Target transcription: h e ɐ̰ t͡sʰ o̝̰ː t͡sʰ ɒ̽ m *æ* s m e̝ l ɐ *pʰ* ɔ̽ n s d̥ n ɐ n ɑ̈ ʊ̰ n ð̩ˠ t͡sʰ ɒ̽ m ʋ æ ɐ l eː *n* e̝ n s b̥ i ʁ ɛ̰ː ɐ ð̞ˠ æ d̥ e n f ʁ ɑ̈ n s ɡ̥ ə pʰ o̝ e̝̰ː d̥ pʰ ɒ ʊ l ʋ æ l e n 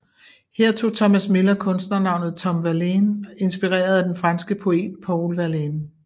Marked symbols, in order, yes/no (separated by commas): yes, no, yes